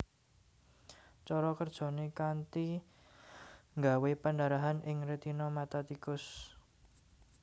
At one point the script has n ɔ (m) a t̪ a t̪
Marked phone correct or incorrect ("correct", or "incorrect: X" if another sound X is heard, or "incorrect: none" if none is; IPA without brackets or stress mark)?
correct